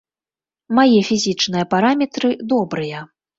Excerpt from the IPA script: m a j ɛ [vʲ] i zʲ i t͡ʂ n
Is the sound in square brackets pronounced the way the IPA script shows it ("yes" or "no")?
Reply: no